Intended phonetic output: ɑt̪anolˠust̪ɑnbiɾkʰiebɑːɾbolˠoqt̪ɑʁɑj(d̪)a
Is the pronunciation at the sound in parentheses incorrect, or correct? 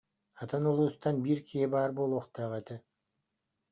incorrect